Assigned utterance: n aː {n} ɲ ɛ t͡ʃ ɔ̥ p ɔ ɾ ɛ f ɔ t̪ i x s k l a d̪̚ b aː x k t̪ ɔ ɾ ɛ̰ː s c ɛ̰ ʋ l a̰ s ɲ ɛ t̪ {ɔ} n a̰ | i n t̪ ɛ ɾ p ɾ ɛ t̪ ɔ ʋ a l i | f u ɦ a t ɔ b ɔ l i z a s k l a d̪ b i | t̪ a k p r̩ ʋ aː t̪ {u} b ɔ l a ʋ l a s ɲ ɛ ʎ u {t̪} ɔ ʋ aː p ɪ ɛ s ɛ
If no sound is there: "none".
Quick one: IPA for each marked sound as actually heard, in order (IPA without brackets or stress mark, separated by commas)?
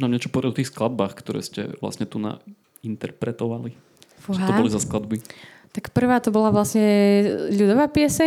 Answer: m, u, ɔ, d̪